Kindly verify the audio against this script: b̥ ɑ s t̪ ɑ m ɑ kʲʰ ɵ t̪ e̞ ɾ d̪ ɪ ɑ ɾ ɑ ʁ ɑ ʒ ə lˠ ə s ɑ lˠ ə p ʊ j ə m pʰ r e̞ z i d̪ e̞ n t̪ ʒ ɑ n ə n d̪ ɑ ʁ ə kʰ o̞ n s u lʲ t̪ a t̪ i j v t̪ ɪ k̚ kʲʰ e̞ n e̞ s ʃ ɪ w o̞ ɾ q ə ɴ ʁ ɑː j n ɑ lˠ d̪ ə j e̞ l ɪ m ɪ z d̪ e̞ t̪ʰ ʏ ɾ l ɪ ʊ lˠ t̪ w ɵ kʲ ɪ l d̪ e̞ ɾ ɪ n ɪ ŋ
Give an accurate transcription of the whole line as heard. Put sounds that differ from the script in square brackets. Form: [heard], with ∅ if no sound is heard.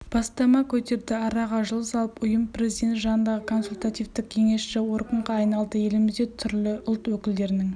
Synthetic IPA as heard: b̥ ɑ s t̪ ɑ m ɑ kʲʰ ɵ t̪ e̞ ɾ d̪ ɪ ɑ ɾ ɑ ʁ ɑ ʒ ə lˠ ə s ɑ lˠ ə p ʊ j ə m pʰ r e̞ z i d̪ e̞ n t̪ ʒ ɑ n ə n d̪ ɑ ʁ ə kʰ o̞ n s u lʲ t̪ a t̪ i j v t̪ ɪ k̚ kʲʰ e̞ [ŋ] e̞ s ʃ ɪ w o̞ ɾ q ə ɴ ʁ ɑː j n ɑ lˠ d̪ ə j e̞ l ɪ m ɪ z d̪ e̞ t̪ʰ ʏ ɾ l ɪ ʊ lˠ t̪ w ɵ kʲ ɪ l d̪ e̞ ɾ ɪ n ɪ ŋ